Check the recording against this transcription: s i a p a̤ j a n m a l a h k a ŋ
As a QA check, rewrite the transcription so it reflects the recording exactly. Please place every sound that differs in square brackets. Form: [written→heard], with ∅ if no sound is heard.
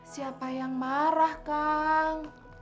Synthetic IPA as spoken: s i a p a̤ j a [n→ŋ] m a [l→ɾ] a h k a ŋ